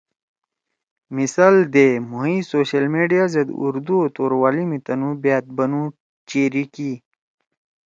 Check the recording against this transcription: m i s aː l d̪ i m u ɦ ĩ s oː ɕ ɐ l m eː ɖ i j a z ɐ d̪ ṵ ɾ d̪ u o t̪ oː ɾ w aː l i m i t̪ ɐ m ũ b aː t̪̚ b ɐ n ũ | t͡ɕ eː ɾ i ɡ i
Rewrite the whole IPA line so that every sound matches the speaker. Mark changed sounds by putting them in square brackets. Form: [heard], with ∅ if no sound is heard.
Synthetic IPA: m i s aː l d̪ [e] m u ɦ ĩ s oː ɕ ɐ l m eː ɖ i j a z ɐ d̪ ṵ ɾ d̪ u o t̪ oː ɾ w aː l i m i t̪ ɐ [n] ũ b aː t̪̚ b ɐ n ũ | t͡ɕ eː ɾ i [k] i